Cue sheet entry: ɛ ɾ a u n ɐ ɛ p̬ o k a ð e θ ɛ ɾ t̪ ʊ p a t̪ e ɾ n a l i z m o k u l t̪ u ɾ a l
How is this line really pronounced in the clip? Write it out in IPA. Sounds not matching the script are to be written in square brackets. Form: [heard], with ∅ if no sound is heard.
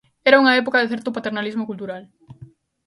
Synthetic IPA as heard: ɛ ɾ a u [ŋ] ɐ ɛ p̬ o k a ð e θ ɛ ɾ t̪ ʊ p a t̪ e ɾ n a l i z m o k u l t̪ u ɾ a l